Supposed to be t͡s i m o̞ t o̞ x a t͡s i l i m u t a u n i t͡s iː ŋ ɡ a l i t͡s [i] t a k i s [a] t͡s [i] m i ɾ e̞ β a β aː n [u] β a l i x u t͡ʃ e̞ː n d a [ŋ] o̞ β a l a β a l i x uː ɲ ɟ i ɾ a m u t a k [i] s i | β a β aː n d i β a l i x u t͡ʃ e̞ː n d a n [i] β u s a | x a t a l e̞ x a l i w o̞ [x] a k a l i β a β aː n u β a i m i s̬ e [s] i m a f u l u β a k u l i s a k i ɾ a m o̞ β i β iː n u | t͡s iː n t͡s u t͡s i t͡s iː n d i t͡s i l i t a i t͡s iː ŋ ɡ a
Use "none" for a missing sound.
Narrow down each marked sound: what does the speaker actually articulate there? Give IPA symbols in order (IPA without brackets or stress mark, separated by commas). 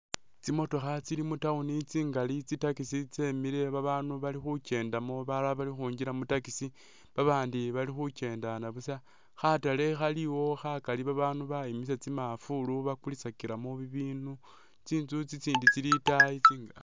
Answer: i, i, e, u, m, i, a, x, t͡s